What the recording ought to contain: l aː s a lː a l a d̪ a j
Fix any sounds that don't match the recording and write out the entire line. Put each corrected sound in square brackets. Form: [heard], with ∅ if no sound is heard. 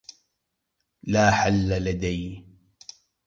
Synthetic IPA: l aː [ħ] a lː a l a d̪ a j